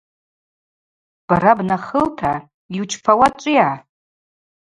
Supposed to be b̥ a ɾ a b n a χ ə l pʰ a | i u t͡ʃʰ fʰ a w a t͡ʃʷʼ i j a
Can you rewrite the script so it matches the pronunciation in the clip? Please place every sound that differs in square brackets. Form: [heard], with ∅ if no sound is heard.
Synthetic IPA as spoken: b̥ a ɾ a b n a χ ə l [tʰ] a | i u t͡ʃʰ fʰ a w a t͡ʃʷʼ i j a